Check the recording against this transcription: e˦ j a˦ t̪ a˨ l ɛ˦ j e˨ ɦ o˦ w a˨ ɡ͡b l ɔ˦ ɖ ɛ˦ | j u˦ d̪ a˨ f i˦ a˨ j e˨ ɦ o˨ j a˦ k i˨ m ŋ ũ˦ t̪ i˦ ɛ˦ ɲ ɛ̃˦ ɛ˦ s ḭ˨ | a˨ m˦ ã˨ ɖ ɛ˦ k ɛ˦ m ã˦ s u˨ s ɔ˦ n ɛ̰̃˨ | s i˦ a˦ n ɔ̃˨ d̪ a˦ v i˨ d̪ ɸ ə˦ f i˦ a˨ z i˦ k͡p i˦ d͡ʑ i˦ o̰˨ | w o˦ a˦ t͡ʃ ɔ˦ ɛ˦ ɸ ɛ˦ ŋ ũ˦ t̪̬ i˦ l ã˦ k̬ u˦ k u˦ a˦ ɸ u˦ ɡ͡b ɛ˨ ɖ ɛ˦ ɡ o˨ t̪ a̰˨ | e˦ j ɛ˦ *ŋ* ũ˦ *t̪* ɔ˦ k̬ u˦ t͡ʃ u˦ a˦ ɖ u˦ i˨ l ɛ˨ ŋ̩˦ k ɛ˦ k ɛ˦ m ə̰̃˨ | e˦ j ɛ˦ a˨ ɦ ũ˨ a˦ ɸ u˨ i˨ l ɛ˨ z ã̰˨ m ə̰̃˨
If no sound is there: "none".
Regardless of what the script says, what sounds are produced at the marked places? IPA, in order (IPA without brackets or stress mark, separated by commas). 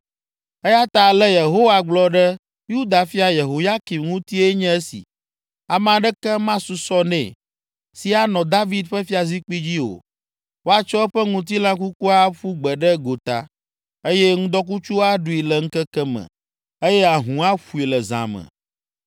ŋ, d̪